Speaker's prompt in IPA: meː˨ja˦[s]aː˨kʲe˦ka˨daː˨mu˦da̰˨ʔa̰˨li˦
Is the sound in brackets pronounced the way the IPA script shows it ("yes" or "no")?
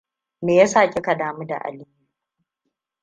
yes